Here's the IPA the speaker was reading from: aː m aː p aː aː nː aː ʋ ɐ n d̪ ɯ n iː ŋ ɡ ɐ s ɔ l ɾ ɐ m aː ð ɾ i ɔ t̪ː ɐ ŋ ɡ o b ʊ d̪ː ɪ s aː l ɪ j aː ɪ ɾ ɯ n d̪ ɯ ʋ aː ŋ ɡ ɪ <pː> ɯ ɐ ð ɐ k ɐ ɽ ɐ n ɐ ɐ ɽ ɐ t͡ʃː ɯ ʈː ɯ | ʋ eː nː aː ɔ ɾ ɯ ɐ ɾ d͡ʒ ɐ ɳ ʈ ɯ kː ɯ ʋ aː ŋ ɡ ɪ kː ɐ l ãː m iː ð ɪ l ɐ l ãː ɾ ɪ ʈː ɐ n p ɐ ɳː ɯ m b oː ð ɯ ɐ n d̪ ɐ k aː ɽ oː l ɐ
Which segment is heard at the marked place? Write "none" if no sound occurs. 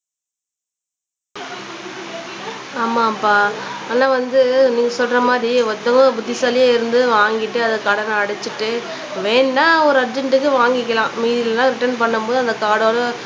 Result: ʈː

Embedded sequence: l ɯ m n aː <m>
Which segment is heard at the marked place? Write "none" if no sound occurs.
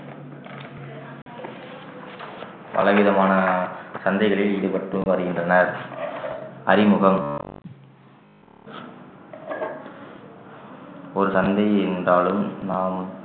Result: m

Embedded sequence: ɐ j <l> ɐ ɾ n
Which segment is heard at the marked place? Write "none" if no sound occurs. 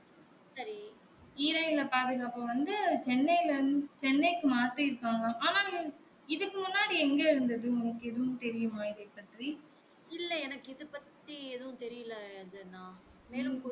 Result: l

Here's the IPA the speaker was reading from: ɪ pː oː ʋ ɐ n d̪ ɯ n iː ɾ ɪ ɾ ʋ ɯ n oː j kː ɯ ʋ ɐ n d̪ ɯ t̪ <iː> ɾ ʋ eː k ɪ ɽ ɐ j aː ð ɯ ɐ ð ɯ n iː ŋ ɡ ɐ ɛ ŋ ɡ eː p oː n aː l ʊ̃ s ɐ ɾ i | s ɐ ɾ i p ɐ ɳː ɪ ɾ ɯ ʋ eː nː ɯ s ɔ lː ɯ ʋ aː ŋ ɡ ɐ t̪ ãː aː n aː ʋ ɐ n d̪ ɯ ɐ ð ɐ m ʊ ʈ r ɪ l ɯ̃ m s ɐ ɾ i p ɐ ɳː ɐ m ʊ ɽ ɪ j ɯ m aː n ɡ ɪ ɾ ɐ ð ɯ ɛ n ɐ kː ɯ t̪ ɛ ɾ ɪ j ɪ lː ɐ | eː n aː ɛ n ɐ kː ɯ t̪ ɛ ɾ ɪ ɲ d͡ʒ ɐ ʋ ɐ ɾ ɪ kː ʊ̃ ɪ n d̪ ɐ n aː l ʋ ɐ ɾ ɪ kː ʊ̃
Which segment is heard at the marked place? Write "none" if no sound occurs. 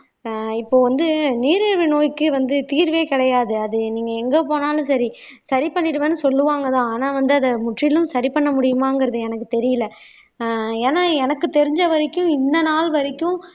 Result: iː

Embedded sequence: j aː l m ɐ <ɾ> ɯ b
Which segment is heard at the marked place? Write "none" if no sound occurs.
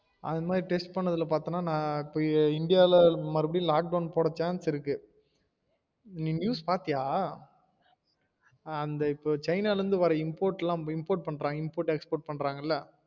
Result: ɾ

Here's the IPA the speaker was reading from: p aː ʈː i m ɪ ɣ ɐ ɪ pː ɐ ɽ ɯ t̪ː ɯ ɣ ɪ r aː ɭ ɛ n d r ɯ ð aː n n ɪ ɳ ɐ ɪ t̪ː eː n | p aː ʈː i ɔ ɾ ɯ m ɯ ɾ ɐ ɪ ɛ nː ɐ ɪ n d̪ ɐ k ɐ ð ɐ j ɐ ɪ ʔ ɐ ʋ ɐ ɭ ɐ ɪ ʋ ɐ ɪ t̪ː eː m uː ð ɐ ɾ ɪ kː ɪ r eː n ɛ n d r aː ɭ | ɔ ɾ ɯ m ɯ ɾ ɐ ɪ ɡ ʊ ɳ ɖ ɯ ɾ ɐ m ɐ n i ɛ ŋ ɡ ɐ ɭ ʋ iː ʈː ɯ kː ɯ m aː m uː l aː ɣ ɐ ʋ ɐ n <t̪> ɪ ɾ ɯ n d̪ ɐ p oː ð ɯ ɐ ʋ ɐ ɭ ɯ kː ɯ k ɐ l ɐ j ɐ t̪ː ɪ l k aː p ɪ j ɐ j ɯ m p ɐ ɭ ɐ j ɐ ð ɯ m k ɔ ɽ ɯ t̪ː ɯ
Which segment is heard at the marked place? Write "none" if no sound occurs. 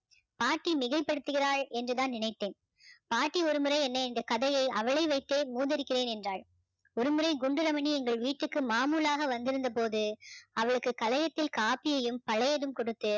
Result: d̪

